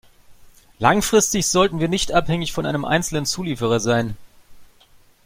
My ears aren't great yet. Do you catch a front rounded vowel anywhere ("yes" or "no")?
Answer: no